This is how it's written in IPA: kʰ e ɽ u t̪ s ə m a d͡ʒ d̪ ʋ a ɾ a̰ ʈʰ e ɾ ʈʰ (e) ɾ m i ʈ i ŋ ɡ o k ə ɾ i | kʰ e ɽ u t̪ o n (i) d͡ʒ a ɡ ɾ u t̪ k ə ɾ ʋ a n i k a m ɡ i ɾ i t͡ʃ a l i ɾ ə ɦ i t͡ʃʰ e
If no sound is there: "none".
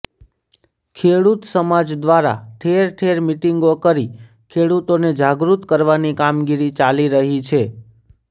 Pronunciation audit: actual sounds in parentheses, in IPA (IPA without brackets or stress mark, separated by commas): e, e